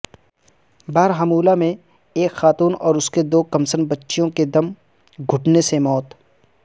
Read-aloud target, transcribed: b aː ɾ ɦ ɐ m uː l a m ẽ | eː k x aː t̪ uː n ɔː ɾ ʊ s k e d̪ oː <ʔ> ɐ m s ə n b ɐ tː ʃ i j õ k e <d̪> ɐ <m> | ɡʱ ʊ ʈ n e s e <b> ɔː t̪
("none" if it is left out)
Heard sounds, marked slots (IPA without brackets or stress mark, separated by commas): k, d̪, m, m